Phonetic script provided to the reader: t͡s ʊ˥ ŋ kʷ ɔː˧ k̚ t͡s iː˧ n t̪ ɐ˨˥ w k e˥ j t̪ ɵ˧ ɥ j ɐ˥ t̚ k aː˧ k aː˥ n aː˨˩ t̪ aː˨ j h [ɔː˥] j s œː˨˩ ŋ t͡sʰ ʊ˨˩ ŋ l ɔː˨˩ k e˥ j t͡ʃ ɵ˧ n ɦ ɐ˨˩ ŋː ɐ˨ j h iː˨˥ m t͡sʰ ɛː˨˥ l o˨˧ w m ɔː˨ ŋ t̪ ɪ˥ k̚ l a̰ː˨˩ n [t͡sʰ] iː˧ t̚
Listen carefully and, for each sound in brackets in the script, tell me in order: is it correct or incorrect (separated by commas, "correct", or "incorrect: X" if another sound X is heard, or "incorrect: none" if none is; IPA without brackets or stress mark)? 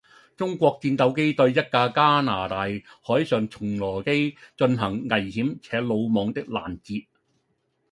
incorrect: ɔː˨˥, incorrect: t͡s